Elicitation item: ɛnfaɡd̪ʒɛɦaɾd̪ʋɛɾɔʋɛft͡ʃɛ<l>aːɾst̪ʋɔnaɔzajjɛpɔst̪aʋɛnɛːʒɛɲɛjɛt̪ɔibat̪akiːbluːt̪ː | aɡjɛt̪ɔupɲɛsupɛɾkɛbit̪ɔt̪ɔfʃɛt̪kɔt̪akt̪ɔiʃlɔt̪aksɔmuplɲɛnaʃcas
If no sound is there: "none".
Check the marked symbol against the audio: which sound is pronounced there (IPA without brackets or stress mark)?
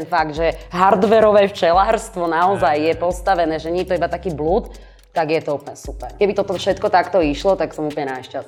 l